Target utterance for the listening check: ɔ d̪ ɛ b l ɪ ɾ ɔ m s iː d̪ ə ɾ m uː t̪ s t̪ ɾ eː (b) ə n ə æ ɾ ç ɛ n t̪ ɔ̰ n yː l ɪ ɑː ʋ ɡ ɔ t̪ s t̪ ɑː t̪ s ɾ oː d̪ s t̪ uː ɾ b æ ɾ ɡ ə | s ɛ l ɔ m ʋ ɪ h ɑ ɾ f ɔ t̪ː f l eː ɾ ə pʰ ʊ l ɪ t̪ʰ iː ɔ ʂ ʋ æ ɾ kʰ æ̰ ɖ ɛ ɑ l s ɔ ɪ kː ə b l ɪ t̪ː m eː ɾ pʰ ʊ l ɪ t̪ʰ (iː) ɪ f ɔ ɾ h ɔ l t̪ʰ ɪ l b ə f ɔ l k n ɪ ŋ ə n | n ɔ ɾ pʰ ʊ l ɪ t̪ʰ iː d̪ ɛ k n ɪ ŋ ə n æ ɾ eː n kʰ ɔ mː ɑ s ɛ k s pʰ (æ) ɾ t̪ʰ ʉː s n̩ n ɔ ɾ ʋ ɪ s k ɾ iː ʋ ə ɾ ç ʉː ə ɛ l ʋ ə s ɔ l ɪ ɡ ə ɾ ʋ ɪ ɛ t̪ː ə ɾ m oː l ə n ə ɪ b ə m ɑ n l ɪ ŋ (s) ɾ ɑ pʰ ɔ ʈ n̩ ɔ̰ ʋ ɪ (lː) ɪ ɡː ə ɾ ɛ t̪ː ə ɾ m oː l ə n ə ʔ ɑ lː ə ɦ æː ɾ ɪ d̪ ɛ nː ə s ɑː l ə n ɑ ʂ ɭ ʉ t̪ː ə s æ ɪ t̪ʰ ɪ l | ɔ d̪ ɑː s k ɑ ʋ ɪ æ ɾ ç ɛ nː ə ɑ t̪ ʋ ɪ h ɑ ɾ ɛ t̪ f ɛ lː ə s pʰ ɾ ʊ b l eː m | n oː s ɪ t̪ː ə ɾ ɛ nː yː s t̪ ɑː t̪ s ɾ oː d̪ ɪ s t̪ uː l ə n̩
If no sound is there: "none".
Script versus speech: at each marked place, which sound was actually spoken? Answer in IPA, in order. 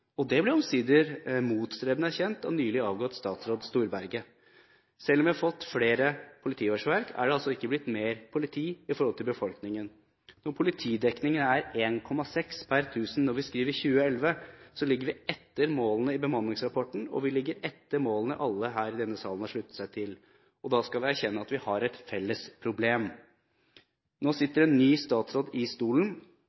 b, iː, æ, s, l

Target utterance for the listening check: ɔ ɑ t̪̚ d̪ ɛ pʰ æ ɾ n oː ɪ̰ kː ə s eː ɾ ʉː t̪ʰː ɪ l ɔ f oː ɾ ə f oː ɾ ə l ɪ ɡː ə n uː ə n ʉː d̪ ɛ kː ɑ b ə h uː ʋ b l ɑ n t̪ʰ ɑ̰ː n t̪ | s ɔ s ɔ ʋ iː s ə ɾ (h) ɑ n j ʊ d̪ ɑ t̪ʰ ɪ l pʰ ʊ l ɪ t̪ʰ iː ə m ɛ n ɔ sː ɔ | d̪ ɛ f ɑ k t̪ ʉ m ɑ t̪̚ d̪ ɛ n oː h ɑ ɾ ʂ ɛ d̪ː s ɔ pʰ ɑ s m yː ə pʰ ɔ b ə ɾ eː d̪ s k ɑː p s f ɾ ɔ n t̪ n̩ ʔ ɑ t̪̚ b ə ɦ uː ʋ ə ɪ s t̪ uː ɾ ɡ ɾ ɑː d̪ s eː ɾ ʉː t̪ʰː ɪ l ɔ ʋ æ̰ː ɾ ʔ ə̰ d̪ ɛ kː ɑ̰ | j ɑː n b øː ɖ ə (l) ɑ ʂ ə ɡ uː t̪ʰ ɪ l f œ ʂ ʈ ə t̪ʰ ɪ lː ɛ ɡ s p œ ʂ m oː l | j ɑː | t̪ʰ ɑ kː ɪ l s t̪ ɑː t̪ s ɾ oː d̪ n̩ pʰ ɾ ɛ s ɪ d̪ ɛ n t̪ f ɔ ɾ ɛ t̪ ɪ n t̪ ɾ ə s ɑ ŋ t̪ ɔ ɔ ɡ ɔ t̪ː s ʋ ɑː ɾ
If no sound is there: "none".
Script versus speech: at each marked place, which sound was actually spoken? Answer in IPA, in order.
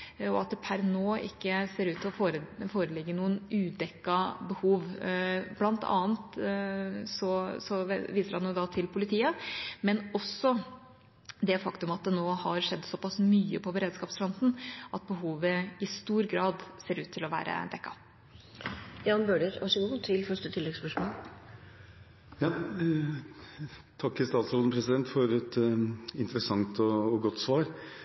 h, ɾ

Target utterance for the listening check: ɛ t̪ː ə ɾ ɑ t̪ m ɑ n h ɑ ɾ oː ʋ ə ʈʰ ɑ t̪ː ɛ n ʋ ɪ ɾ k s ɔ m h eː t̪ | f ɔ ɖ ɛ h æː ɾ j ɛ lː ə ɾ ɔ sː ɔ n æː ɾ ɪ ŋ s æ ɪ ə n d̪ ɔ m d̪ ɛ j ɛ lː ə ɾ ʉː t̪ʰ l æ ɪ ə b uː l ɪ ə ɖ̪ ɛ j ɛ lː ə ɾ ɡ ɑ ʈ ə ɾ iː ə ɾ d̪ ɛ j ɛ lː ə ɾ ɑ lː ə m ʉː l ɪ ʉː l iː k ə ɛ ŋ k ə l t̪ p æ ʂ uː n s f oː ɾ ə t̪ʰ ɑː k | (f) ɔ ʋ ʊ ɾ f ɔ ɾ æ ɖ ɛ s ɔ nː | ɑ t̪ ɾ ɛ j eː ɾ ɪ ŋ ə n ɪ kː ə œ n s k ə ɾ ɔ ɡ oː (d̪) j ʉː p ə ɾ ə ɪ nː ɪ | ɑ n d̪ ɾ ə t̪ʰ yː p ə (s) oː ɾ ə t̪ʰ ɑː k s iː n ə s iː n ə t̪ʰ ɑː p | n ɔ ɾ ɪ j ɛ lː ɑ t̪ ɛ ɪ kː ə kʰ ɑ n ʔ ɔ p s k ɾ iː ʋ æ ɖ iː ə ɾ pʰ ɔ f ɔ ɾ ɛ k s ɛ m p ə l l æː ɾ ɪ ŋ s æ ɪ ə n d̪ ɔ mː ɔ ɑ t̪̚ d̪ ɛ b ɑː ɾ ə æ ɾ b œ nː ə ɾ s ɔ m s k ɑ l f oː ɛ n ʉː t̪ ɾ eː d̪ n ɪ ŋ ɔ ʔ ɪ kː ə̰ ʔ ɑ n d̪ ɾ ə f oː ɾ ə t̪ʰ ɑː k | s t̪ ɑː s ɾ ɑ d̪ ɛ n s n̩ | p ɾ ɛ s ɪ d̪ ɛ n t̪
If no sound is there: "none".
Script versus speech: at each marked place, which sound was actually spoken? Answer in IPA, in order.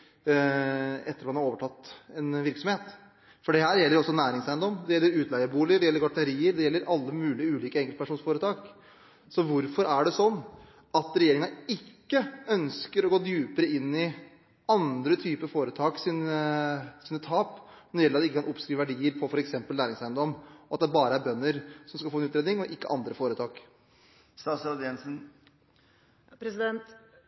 s, d̪, f

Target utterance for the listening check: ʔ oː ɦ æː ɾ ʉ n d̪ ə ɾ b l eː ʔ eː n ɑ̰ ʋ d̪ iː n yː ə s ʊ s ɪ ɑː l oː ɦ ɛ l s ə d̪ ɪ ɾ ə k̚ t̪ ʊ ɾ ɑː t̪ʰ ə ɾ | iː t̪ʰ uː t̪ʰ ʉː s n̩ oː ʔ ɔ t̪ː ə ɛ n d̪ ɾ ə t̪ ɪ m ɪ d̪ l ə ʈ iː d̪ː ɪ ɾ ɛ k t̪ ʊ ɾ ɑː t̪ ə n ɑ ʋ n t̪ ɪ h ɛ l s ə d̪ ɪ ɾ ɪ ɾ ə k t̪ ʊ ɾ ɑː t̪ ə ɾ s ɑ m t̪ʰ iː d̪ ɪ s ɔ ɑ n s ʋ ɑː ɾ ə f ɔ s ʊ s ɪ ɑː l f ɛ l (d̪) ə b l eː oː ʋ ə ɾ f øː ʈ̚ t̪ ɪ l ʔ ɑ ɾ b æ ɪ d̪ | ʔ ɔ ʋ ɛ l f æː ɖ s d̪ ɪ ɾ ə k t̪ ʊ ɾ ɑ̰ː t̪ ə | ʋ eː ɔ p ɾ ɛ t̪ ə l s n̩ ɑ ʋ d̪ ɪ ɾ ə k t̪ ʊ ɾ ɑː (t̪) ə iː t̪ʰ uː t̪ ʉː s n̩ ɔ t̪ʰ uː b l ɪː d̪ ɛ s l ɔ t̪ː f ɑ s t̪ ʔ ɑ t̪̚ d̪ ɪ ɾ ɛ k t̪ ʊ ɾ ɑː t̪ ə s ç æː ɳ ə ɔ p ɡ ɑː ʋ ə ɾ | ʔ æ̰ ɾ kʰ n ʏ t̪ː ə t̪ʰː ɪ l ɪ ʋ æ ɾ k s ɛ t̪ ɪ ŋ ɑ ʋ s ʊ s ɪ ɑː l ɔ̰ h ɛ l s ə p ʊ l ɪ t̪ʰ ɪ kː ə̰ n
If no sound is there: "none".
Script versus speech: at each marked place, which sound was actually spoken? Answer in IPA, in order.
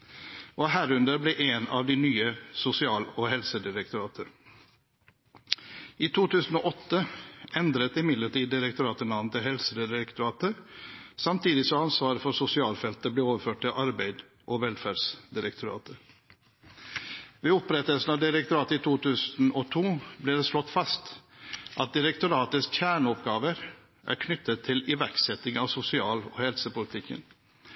t̪, t̪

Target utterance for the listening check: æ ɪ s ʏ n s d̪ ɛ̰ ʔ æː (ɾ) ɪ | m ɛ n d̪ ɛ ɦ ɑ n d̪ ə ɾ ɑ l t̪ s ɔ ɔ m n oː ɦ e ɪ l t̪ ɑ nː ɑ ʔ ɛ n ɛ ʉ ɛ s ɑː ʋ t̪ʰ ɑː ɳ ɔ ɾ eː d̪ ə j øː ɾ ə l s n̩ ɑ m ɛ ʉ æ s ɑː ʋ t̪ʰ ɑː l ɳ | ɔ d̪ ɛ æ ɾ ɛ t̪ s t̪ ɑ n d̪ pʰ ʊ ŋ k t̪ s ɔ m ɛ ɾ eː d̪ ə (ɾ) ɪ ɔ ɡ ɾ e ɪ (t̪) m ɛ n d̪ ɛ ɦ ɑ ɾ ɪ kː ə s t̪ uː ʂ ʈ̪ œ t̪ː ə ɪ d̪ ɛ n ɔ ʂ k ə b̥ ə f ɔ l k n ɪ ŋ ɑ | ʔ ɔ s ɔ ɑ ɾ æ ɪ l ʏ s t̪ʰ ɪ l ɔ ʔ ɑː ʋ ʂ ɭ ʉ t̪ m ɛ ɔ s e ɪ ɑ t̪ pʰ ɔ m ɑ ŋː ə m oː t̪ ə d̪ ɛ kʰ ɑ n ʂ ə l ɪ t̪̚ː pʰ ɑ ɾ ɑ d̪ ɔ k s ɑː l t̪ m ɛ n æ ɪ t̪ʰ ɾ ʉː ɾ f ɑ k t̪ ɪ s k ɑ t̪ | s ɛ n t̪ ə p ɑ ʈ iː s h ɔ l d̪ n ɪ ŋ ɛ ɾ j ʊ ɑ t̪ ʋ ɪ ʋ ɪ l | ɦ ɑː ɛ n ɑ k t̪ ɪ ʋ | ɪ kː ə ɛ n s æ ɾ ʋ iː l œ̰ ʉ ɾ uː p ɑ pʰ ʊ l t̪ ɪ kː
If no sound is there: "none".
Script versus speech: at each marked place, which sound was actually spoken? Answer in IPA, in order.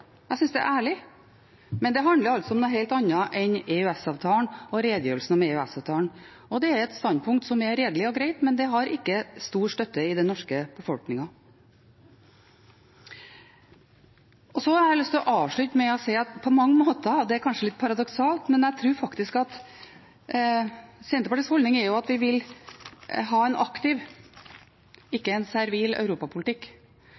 ɭ, l, t̪

